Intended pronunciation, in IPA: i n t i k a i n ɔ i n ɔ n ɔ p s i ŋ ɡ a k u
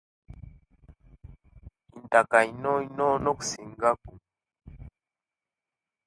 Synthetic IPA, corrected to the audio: i n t a k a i n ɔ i n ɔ n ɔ k s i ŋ ɡ a k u